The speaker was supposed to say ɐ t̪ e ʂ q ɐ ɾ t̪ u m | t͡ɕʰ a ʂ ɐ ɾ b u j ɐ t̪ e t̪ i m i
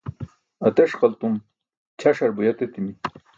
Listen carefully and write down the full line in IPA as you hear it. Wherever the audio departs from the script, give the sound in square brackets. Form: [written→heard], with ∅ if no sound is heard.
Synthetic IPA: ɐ t̪ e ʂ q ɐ [ɾ→l] t̪ u m | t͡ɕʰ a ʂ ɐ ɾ b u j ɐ t̪ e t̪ i m i